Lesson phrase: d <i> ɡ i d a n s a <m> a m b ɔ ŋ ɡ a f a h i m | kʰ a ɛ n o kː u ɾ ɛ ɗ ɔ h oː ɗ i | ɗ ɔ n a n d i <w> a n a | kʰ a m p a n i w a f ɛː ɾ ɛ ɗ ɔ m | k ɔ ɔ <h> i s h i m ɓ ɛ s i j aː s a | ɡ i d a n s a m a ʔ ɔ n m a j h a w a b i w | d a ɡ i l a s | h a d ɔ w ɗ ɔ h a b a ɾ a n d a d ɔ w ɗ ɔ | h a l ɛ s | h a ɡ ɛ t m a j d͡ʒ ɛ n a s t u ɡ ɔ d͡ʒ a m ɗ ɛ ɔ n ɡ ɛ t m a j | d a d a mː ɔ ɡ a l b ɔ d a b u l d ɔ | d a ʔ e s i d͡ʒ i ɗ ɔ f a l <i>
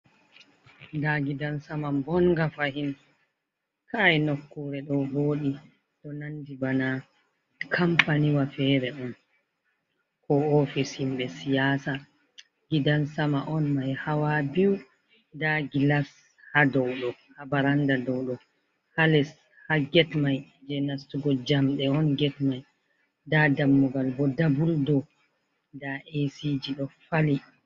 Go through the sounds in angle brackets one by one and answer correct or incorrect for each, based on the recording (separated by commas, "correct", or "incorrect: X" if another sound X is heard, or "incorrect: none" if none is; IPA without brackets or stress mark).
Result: incorrect: a, correct, incorrect: b, incorrect: f, correct